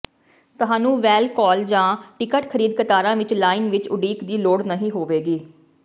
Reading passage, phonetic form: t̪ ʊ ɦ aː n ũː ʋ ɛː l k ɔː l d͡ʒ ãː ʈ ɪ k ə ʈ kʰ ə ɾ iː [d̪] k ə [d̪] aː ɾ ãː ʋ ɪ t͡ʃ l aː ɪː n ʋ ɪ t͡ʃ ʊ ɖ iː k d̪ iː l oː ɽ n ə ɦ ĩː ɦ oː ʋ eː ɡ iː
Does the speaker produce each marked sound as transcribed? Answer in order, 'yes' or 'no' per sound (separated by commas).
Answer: yes, no